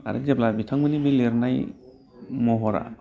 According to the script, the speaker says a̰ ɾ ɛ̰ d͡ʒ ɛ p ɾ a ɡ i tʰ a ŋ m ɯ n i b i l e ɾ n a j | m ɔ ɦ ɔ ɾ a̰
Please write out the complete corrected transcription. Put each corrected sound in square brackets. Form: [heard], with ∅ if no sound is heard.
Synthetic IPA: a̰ ɾ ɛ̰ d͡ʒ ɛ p [l] a [b] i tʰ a ŋ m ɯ n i b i l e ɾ n a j | m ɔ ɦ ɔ ɾ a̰